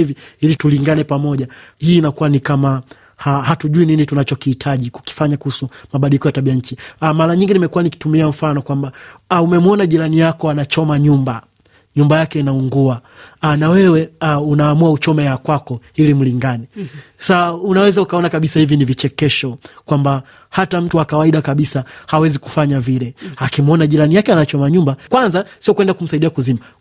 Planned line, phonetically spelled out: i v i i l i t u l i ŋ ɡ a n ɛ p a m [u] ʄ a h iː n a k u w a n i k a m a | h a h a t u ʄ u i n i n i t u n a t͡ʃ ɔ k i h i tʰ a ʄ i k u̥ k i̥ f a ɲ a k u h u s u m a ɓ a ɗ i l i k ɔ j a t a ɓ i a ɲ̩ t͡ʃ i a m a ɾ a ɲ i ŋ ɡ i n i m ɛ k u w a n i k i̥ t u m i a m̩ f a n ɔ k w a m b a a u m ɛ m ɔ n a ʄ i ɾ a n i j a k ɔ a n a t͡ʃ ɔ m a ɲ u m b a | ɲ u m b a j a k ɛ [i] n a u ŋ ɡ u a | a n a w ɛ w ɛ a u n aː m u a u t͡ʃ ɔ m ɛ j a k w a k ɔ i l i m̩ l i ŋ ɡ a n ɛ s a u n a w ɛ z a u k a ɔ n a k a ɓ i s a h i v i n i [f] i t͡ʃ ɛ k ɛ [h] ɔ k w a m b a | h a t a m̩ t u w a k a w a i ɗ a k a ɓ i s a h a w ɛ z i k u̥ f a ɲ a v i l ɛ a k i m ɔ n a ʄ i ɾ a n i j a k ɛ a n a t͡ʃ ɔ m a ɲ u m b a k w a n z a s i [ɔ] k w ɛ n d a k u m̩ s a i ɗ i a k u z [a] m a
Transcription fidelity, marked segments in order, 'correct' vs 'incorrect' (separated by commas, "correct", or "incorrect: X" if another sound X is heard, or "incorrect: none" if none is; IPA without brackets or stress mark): incorrect: ɔ, correct, incorrect: v, incorrect: ʃ, correct, incorrect: i